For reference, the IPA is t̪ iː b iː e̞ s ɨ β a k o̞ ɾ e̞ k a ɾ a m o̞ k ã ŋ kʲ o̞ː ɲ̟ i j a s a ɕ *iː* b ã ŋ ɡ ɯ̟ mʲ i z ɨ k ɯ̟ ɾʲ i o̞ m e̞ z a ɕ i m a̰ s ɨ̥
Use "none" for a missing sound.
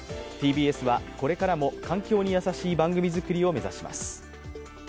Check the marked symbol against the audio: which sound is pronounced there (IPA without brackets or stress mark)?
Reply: iː